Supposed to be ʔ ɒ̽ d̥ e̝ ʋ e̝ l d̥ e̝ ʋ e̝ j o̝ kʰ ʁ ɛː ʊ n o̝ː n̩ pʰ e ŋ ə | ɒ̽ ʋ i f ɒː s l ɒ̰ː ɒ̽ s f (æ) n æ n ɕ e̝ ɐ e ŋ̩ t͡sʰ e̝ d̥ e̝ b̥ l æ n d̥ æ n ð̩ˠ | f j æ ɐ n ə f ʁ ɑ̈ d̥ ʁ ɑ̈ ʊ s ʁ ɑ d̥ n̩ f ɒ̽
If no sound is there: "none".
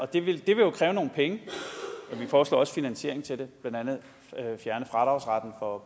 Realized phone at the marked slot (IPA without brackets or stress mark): i